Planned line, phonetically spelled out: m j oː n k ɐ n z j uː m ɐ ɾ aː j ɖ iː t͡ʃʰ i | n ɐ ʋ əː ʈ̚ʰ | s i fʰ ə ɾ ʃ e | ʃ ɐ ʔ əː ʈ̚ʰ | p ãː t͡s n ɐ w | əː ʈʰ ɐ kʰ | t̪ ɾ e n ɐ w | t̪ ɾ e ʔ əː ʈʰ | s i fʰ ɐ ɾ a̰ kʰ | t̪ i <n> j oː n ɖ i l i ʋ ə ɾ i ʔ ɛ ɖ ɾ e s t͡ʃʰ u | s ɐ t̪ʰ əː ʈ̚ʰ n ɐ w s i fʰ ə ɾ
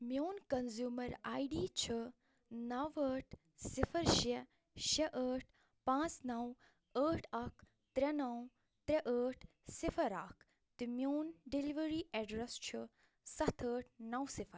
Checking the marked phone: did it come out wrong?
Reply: yes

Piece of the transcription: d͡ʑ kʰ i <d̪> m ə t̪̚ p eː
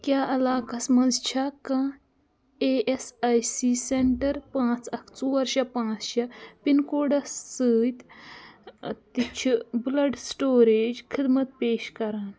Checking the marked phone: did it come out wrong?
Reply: no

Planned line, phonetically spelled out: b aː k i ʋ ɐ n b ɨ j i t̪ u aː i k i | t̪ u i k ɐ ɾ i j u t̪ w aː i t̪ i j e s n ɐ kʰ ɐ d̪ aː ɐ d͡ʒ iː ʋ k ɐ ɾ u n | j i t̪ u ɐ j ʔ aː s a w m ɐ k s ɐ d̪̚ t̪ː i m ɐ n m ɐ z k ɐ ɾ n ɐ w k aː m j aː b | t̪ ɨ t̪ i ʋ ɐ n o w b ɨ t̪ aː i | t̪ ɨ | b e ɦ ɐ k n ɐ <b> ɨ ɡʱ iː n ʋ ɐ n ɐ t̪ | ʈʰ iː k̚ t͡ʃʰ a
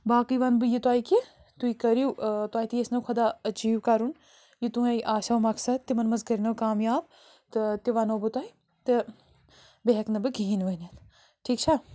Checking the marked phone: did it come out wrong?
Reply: no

